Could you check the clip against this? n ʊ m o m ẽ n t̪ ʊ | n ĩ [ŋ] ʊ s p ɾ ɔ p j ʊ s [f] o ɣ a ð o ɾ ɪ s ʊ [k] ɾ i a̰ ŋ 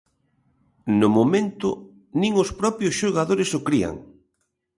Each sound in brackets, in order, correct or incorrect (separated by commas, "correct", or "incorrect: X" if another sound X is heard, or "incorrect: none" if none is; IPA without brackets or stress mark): correct, incorrect: ʃ, correct